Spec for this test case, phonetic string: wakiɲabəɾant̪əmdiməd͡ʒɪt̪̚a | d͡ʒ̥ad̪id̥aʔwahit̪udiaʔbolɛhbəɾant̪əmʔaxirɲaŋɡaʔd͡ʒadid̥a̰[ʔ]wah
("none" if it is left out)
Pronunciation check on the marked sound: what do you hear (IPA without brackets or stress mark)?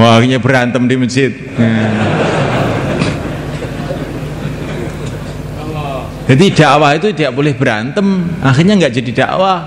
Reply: ʔ